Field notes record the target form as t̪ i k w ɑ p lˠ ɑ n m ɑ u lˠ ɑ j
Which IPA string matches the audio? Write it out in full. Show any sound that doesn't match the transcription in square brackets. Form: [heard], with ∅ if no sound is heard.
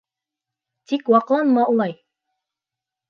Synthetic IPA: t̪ i k w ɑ [q] lˠ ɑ n m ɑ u lˠ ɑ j

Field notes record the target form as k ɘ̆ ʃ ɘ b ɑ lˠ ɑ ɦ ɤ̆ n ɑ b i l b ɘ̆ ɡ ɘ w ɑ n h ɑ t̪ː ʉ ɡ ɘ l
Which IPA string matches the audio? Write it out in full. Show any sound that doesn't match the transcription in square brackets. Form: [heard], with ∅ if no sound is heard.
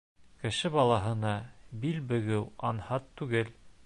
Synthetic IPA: k ɘ̆ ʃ ɘ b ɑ lˠ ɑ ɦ ɤ̆ n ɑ b i l b ɘ̆ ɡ ɘ w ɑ n h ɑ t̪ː ʉ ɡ ɘ l

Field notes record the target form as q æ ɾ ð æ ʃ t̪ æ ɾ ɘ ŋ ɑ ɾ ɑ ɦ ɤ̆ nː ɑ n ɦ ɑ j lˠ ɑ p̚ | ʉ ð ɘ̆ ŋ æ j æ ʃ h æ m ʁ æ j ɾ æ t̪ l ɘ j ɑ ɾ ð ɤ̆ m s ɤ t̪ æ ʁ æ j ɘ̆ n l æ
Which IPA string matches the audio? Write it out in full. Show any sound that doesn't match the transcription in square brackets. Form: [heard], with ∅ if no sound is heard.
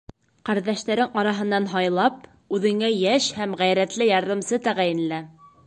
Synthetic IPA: q æ ɾ ð æ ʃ t̪ æ ɾ ɘ ŋ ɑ ɾ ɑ ɦ ɤ̆ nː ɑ n ɦ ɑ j lˠ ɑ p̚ | ʉ ð ɘ̆ ŋ æ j æ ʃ h æ m ʁ æ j ɾ æ t̪ l ɘ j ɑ ɾ ð ɤ̆ m s ɤ t̪ æ ʁ æ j ɘ̆ n l æ

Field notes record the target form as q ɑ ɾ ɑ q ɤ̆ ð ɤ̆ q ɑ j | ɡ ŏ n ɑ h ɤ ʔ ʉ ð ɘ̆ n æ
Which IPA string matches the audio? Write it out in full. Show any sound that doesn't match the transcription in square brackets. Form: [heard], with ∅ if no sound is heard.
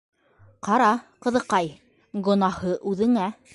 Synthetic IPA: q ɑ ɾ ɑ q ɤ̆ ð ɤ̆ q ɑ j | ɡ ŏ n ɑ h ɤ ʔ ʉ ð ɘ̆ [ŋ] æ

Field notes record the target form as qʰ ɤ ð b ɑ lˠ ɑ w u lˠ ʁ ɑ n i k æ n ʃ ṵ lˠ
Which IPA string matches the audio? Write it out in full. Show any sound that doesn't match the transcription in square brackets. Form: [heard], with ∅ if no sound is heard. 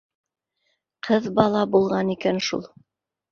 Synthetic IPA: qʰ ɤ ð b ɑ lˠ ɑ [b] u lˠ ʁ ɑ n i k æ n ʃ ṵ lˠ

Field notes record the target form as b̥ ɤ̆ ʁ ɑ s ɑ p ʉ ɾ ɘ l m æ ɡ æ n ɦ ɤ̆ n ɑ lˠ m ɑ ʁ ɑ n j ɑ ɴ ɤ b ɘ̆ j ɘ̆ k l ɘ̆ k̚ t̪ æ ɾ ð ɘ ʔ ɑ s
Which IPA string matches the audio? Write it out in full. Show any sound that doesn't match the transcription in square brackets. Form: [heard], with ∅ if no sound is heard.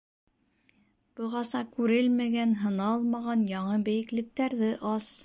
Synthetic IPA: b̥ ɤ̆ ʁ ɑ s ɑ [k] ʉ ɾ ɘ l m æ ɡ æ n ɦ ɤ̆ n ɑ lˠ m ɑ ʁ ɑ n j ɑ ɴ ɤ b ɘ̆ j ɘ̆ k l ɘ̆ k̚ t̪ æ ɾ ð ɘ ʔ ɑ s

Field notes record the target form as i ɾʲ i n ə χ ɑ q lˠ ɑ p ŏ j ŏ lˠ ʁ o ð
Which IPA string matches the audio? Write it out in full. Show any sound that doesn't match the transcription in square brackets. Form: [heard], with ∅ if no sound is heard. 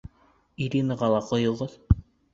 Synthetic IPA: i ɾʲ i n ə [ʁ] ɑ [∅] lˠ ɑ [q] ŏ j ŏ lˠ ʁ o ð

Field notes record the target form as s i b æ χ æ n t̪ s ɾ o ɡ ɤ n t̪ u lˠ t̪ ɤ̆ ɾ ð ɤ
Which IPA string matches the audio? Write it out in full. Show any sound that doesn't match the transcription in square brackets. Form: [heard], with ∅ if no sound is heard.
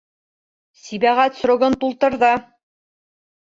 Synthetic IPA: s i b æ [ʁ] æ [∅] t̪ s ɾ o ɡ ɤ n t̪ u lˠ t̪ ɤ̆ ɾ ð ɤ

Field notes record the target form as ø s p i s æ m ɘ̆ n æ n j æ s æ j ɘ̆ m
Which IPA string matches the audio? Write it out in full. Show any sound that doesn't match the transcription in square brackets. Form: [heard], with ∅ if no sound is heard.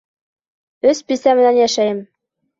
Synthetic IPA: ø s p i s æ m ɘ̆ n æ n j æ [ʃ] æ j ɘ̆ m

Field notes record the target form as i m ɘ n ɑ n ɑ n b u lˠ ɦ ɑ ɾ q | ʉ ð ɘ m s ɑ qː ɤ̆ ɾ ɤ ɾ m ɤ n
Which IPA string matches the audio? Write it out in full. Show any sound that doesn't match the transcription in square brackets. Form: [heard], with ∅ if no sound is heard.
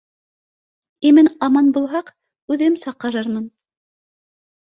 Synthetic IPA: i m ɘ n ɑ [m] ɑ n b u lˠ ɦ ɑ [∅] q | ʉ ð ɘ m s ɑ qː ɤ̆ ɾ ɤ ɾ m ɤ n

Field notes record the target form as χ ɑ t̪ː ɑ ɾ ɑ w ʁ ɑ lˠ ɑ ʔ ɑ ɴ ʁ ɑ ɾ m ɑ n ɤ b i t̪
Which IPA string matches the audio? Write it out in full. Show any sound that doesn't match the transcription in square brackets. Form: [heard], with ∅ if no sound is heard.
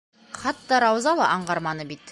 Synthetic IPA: χ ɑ t̪ː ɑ ɾ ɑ w [z] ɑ lˠ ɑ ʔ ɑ ɴ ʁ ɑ ɾ m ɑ n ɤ b i t̪

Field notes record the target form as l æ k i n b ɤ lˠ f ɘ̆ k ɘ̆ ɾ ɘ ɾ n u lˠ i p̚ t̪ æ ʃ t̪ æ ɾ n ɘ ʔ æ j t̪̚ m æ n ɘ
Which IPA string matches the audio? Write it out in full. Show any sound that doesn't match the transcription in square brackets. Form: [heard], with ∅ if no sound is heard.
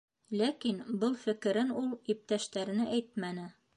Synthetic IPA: l æ k i n b ɤ lˠ f ɘ̆ k ɘ̆ ɾ ɘ [∅] n u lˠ i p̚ t̪ æ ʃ t̪ æ ɾ n ɘ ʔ æ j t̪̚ m æ n ɘ

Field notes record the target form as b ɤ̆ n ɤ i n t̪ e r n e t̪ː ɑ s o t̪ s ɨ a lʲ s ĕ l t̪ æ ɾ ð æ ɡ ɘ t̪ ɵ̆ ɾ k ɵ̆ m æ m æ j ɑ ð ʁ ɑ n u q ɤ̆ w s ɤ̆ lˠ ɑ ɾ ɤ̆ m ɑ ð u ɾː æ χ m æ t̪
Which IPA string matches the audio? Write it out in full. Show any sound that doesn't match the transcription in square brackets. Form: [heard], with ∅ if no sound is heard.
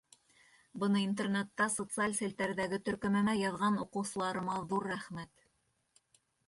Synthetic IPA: b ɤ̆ n ɤ i n t̪ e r n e t̪ː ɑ s o t̪ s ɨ a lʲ s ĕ l t̪ æ ɾ ð æ ɡ ɘ t̪ ɵ̆ ɾ k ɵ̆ m æ m æ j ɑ ð ʁ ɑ n u q ɤ̆ w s ɤ̆ lˠ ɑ ɾ ɤ̆ m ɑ ð u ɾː æ χ m æ t̪

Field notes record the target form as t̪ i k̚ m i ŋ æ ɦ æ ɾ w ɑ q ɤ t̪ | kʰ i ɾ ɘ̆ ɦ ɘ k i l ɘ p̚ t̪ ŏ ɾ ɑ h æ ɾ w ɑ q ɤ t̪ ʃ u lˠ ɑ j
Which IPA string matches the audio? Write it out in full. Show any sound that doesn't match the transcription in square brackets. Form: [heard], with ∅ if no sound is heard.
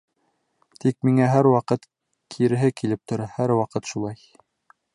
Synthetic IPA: t̪ i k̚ m i ŋ æ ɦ æ ɾ w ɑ q ɤ t̪ | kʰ i ɾ ɘ̆ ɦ ɘ k i l ɘ p̚ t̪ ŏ ɾ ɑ h æ ɾ w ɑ q ɤ t̪ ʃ u lˠ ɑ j

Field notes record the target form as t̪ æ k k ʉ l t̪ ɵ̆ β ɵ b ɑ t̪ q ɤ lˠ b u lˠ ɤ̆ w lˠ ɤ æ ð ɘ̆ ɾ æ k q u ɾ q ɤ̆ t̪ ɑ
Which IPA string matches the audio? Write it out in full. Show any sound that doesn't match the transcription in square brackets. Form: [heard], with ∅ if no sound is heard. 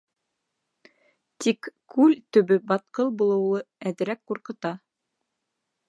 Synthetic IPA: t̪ [i] k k ʉ l t̪ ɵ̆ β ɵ b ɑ t̪ q ɤ lˠ b u lˠ ɤ̆ w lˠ ɤ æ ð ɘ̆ ɾ æ k q u ɾ q ɤ̆ t̪ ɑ

